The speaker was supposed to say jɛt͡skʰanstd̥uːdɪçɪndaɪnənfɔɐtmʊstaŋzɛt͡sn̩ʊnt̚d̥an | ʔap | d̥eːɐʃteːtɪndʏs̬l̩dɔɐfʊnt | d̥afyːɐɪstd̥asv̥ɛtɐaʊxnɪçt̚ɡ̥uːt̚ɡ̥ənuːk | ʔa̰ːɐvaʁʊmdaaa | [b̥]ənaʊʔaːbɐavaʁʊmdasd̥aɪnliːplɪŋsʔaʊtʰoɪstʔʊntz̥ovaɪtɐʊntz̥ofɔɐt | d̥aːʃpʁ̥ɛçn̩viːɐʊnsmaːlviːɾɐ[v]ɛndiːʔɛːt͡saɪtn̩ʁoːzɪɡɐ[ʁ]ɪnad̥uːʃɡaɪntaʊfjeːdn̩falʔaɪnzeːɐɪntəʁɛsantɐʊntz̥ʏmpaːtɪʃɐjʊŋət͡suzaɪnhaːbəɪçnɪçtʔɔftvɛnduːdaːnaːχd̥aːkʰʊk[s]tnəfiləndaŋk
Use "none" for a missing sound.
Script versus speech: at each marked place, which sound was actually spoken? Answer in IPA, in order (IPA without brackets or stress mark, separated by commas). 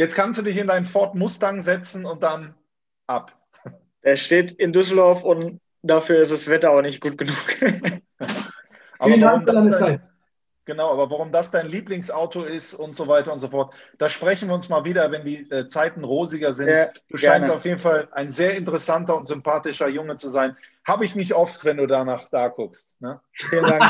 ɡ̥, v, z, s